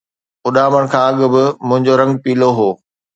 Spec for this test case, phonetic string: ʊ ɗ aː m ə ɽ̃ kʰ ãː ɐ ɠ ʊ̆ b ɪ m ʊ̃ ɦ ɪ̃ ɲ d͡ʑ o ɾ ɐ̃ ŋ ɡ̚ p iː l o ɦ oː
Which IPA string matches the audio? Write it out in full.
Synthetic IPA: ʊ ɗ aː m ə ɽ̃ kʰ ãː ɐ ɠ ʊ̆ b ɪ m ʊ̃ ɦ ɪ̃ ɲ d͡ʑ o ɾ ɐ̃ ŋ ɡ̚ p iː l o ɦ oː